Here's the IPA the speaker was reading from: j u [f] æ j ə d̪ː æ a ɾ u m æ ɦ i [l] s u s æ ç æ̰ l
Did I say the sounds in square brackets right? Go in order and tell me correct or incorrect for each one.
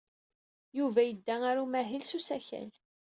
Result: incorrect: v, correct

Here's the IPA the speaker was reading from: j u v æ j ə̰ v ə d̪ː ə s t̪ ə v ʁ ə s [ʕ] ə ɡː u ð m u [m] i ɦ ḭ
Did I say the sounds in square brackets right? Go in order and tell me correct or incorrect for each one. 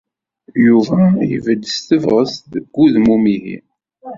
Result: incorrect: ð, correct

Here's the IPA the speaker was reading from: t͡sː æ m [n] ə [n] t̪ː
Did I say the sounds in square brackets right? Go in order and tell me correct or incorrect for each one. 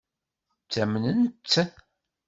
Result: correct, correct

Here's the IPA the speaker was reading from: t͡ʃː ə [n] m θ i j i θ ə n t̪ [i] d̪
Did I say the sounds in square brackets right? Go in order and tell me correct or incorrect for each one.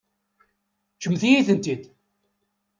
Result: incorrect: none, correct

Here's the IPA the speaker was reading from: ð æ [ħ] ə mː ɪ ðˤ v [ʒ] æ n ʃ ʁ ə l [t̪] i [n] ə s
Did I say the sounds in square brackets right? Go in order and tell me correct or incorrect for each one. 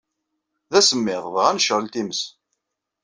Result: incorrect: s, incorrect: ʁ, correct, incorrect: m

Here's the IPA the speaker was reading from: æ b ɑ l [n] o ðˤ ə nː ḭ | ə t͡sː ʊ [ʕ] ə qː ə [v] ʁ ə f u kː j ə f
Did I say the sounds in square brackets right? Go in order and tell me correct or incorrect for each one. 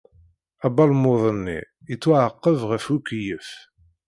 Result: incorrect: m, correct, correct

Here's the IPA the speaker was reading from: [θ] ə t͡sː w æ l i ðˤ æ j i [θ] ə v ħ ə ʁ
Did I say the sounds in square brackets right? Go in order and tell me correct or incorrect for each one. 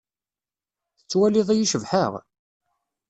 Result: correct, incorrect: ʃ

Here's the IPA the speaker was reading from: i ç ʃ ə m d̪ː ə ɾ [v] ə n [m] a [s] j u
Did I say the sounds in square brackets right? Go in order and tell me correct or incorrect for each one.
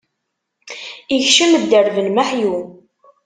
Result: correct, correct, incorrect: ħ

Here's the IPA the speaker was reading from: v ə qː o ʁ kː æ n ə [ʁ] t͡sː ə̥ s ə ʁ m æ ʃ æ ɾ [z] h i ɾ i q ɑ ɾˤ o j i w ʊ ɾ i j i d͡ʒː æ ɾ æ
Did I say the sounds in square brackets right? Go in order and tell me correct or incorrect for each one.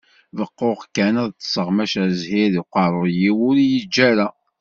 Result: incorrect: ð, correct

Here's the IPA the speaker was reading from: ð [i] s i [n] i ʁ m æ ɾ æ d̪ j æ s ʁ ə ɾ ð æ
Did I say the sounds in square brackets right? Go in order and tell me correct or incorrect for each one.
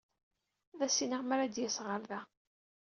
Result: incorrect: æ, correct

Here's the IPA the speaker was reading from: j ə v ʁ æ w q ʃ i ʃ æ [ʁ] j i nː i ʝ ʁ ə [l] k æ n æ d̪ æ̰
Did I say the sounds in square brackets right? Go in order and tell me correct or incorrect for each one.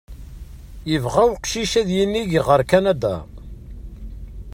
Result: incorrect: ð, incorrect: ɾ

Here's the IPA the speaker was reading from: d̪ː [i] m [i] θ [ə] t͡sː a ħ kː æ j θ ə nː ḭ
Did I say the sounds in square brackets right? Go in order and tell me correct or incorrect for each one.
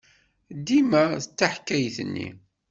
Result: correct, incorrect: æ, correct

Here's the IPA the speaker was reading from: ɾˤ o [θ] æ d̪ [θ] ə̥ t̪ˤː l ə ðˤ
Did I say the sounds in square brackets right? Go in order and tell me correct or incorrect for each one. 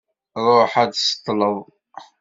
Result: incorrect: ħ, incorrect: s

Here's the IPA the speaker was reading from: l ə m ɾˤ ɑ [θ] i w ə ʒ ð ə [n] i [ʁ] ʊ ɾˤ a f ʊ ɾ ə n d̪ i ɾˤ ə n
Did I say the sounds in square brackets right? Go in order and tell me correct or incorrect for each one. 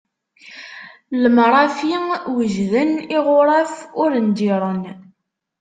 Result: incorrect: f, correct, correct

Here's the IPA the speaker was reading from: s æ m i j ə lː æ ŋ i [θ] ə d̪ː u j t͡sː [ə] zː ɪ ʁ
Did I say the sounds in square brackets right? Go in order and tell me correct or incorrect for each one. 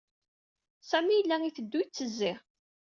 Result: correct, correct

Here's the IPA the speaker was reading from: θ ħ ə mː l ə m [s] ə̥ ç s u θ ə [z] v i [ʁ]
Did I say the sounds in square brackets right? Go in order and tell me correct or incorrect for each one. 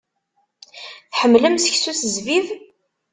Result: correct, correct, incorrect: ð

